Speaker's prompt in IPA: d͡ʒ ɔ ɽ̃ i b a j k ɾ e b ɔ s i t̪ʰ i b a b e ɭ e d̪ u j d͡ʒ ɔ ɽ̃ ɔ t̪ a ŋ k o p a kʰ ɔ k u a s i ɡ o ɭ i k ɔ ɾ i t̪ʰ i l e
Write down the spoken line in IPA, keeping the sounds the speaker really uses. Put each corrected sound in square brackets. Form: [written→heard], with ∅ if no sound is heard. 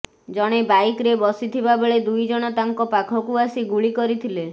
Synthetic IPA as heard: d͡ʒ ɔ ɽ̃ [i→e] b a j k ɾ e b ɔ s i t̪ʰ i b a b e ɭ e d̪ u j d͡ʒ ɔ ɽ̃ ɔ t̪ a ŋ k [o→ɔ] p a kʰ ɔ k u a s i ɡ [o→u] ɭ i k ɔ ɾ i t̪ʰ i l e